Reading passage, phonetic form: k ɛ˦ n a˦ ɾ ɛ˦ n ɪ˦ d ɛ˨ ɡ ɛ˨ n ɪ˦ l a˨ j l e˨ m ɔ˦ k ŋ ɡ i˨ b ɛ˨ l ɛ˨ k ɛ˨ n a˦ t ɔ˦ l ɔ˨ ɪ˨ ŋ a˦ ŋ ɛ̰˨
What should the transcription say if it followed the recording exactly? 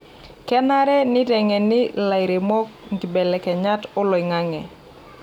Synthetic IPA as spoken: k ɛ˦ n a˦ ɾ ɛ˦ n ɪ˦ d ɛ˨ ŋ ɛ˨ n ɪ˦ l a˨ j ɾ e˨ m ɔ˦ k ŋ ɡ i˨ b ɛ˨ l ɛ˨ k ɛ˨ ɲ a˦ t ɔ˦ l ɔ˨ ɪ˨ ŋ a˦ ŋ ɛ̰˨